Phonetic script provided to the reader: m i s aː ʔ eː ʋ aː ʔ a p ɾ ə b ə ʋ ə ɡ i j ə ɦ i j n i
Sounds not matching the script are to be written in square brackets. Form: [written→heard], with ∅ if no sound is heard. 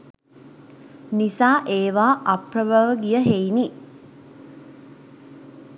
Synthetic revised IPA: [m→n] i s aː ʔ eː ʋ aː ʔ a p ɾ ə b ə ʋ ə ɡ i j ə ɦ [i→e] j n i